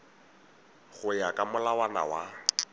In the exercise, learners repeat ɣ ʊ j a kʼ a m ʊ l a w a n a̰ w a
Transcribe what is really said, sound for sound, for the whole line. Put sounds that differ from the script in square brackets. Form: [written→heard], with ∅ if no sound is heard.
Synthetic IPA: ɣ ʊ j a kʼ a m ʊ l a w a n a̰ w a